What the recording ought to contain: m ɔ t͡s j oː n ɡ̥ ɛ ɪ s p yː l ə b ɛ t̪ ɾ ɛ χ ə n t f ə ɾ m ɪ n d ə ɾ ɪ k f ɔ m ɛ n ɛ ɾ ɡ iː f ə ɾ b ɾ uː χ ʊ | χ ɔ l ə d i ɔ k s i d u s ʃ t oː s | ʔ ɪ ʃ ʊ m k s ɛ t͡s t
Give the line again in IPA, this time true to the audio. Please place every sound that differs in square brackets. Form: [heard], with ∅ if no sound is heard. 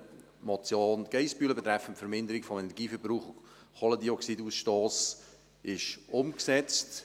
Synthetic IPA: m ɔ t͡s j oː n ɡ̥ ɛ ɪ s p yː l ə b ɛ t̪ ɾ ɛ [f] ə n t f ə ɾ m ɪ n d ə ɾ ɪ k f ɔ m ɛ n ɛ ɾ ɡ iː f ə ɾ b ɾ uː χ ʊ | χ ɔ l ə d i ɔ k s i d u s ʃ t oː s | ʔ ɪ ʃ ʊ m k s ɛ t͡s t